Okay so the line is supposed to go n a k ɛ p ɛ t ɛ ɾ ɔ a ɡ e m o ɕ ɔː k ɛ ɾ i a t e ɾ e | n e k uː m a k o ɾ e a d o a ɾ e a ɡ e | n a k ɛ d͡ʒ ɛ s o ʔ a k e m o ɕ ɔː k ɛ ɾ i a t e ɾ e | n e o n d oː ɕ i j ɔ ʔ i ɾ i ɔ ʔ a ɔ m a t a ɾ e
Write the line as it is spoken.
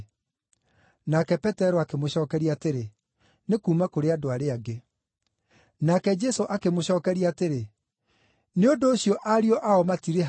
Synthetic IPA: n a k ɛ p ɛ t ɛ ɾ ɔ a k e m o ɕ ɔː k ɛ ɾ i a t e ɾ e | n e k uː m a k o ɾ e a d o a ɾ e a ɡ e | n a k ɛ d͡ʒ ɛ s o ʔ a k e m o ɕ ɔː k ɛ ɾ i a t e ɾ e | n e o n d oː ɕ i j ɔ ʔ a ɾ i ɔ ʔ a ɔ m a t i ɾ e